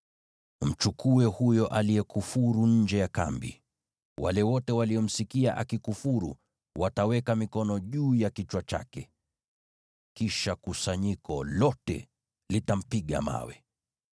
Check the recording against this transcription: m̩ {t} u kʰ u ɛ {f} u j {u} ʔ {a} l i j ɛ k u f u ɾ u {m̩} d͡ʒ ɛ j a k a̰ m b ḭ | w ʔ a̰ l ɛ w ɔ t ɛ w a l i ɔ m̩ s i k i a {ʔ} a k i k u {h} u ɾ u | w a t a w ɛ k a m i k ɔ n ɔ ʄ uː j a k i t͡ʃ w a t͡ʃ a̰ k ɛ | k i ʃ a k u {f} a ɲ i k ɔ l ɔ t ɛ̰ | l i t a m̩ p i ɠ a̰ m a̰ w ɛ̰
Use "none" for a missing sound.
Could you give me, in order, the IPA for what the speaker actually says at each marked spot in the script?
t͡ʃ, h, ɔ, a, ɲ̩, ʔ, f, s

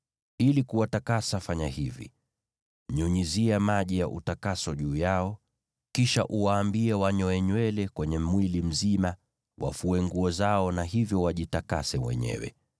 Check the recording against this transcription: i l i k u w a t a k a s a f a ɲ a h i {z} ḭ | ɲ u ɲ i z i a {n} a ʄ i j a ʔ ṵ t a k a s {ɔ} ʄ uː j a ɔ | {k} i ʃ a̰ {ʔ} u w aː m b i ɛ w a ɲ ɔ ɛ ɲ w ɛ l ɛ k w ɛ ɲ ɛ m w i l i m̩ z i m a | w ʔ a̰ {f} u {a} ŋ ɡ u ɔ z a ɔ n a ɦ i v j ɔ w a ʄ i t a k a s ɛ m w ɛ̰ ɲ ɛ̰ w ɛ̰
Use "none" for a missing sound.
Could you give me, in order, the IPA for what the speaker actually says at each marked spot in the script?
v, m, ɔ, k, ʔ, f, ɛ

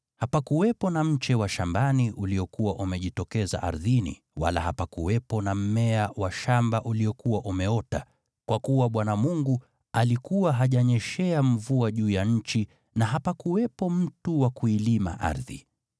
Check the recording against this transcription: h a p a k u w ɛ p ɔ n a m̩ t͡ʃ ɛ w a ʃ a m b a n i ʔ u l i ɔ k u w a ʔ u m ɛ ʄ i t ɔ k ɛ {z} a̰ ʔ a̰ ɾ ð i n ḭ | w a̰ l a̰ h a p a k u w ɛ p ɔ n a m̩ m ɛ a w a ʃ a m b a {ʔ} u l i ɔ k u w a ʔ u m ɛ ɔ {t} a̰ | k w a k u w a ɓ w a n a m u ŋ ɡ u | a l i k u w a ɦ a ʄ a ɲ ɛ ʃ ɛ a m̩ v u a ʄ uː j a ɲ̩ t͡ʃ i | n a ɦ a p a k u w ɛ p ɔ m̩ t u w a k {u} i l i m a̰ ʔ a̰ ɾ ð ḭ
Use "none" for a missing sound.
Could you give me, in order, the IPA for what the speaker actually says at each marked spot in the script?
z, ʔ, t, u

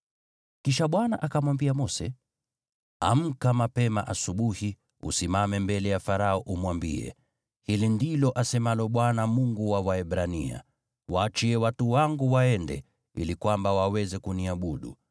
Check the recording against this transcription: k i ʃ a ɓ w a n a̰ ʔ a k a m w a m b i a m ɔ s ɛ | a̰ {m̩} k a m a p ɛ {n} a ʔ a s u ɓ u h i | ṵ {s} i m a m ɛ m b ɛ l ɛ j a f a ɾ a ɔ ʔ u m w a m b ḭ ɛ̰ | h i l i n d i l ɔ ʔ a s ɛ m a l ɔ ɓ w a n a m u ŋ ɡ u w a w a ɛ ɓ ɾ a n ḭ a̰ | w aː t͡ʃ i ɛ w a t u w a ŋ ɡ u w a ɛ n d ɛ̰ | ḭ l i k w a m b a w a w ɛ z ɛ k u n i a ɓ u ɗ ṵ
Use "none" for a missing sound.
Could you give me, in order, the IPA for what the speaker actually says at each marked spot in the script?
m̩, m, s

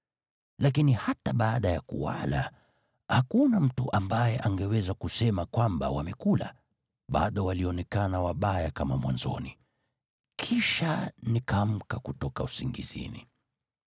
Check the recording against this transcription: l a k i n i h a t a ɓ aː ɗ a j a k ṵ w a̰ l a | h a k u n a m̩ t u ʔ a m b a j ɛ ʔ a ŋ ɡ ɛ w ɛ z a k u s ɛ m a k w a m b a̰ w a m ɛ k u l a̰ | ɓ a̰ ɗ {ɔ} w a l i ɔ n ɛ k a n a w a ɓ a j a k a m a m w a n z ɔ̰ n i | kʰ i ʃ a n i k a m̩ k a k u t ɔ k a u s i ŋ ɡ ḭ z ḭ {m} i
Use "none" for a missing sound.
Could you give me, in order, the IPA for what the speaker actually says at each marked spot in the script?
ɔ, n

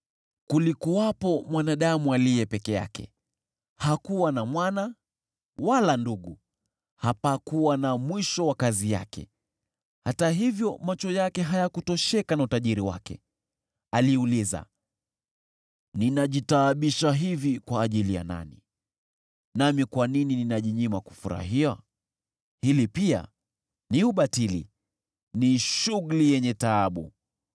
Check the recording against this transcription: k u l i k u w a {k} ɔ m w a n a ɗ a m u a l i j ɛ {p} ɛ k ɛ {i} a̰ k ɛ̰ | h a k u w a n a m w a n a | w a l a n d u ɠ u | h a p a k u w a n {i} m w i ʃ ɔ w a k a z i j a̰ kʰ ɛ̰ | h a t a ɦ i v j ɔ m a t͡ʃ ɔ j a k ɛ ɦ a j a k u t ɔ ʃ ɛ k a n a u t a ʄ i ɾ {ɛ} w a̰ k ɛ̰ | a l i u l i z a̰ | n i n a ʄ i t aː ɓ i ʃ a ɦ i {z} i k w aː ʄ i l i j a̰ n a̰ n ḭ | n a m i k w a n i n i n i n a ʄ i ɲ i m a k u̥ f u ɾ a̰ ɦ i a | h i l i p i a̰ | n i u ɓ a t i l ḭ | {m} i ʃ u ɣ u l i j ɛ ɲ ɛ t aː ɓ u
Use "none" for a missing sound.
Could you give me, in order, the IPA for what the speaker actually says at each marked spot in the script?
p, p, j, a, i, v, n

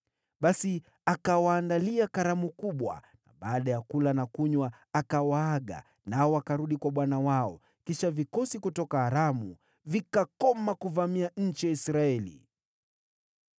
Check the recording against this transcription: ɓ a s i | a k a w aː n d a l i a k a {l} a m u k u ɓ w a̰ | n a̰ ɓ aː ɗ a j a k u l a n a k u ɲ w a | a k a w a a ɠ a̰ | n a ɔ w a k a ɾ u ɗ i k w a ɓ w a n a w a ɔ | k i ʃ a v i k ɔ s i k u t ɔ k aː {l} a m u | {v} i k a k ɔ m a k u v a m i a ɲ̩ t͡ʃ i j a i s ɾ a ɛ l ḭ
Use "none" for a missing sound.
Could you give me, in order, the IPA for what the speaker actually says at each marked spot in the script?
ɾ, ɾ, v

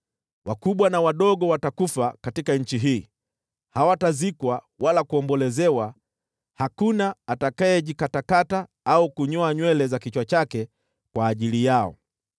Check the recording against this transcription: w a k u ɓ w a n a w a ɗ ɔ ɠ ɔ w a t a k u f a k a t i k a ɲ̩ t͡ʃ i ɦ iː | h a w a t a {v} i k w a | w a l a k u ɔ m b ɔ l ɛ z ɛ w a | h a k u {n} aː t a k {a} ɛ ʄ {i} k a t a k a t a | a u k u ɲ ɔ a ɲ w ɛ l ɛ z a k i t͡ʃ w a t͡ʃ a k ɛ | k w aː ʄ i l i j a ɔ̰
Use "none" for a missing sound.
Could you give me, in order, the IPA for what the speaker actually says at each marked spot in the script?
z, n, a, i

